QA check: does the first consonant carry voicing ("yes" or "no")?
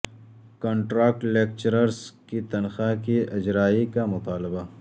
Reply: no